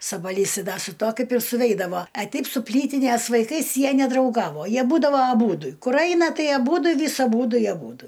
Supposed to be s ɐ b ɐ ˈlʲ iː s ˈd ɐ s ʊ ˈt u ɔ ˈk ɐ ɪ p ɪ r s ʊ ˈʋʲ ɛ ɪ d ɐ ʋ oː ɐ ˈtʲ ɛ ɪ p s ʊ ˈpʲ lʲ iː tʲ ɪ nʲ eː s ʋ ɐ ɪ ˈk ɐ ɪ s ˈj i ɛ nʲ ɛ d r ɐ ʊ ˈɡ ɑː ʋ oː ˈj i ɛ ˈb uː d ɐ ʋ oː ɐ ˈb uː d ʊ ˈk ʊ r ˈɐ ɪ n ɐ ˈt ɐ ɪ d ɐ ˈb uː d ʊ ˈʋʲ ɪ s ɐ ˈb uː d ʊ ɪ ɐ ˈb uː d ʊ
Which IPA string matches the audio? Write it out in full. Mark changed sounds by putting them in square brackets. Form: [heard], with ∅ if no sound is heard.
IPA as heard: s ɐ b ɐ ˈlʲ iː s ˈd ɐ s ʊ ˈt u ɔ ˈk ɐ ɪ p ɪ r s ʊ ˈʋʲ ɛ ɪ d ɐ ʋ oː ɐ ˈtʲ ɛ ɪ p s ʊ ˈpʲ lʲ iː tʲ ɪ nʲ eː s ʋ ɐ ɪ ˈk ɐ ɪ s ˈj i ɛ nʲ ɛ d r ɐ ʊ ˈɡ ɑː ʋ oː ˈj i ɛ ˈb uː d ɐ ʋ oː ɐ ˈb uː d ʊ ˈk ʊ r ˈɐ ɪ n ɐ ˈt ɐ ɪ [∅] ɐ ˈb uː d ʊ ˈʋʲ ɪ s ɐ ˈb uː d ʊ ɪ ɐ ˈb uː d ʊ